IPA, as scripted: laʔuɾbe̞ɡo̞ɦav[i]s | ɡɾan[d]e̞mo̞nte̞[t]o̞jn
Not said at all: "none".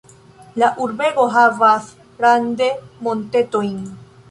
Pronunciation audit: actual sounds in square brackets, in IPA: a, d, t

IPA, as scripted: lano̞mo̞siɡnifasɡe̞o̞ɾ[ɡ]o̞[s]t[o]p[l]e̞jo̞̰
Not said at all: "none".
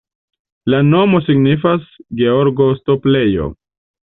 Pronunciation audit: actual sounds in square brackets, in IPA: ɡ, s, o, l

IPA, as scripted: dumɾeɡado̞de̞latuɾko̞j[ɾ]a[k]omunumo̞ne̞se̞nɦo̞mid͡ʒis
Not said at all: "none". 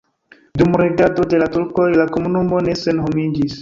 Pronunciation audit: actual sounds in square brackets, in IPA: l, k

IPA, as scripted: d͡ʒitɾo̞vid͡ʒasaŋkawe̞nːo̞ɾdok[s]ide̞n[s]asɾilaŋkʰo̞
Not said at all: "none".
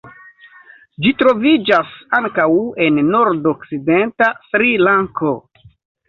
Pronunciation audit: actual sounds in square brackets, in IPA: s, t

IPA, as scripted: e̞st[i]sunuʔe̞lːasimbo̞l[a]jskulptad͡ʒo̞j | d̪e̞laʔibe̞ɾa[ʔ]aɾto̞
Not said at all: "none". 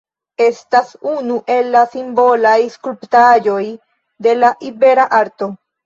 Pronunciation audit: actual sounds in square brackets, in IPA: a, a, ʔ

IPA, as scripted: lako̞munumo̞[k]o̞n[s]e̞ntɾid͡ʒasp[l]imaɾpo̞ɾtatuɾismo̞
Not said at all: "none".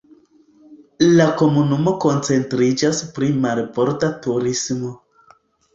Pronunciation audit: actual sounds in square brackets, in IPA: k, t͡s, ɾ

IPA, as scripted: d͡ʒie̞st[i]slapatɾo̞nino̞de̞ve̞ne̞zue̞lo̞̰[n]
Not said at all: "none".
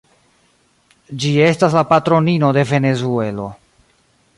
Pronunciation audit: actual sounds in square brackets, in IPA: a, none

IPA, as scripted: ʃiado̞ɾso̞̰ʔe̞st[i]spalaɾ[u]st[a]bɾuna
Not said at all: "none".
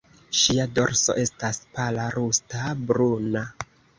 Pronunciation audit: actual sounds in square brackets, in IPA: a, u, a

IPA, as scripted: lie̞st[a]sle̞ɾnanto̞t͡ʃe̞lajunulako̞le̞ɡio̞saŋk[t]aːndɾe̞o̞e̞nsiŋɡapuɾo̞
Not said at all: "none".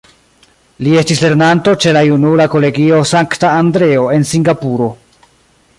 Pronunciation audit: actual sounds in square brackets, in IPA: i, t

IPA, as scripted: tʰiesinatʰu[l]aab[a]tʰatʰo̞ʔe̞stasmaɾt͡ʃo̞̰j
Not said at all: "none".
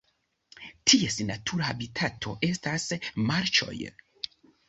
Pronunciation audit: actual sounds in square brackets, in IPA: ɾ, i

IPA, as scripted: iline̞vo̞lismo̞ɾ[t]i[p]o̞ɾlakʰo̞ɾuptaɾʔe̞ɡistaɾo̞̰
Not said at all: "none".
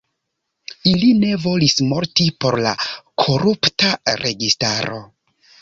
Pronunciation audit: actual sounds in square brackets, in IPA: t, p

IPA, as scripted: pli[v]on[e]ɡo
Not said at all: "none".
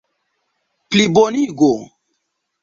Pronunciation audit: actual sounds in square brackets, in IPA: b, i

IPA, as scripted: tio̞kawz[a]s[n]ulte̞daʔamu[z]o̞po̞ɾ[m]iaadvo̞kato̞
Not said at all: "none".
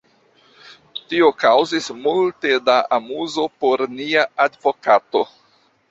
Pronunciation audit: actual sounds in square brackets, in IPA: i, m, z, n

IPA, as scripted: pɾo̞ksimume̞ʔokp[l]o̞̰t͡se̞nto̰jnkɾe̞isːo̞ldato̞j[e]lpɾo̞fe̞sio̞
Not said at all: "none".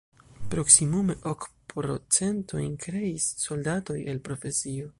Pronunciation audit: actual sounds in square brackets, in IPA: ɾ, e

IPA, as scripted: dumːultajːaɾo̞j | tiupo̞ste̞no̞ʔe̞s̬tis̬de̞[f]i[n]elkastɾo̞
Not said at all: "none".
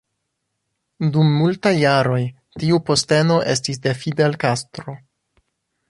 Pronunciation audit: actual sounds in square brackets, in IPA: f, d

